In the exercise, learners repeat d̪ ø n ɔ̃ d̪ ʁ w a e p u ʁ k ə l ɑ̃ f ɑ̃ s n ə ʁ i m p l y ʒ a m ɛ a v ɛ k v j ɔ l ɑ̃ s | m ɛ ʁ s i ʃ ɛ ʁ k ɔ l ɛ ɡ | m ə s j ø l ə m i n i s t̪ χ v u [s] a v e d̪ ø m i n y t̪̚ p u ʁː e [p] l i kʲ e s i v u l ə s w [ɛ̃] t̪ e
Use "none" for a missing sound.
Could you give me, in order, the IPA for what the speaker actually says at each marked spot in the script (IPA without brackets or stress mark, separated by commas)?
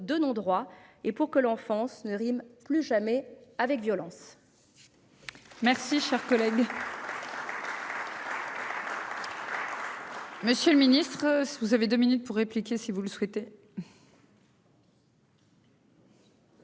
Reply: z, p, ɛ